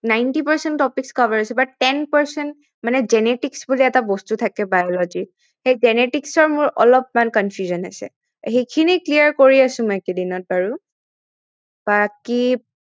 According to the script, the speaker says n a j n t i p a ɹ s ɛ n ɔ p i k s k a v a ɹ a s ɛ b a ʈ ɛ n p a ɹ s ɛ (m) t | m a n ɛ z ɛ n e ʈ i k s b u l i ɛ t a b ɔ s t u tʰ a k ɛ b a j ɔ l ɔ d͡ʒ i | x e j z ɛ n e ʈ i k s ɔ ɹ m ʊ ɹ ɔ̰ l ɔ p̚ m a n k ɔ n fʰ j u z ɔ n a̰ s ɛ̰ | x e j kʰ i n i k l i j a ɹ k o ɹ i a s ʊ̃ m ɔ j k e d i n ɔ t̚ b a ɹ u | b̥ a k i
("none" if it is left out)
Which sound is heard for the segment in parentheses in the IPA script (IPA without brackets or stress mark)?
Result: n